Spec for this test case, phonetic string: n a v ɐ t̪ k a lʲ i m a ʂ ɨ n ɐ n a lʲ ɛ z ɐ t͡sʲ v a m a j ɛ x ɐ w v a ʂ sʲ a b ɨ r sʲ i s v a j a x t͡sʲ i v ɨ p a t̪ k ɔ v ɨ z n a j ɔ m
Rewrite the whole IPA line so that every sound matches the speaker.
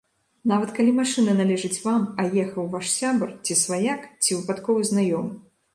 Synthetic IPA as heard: n a v ɐ t̪ k a lʲ i m a ʂ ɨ n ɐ n a lʲ ɛ ʐ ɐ t͡sʲ v a m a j ɛ x ɐ w v a ʂ sʲ a b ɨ r t͡sʲ i s v a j a k t͡sʲ i v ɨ p a t̪ k ɔ v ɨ z n a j ɔ m